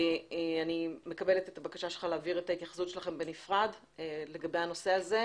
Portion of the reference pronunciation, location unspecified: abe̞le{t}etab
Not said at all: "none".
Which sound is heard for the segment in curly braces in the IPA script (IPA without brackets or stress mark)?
t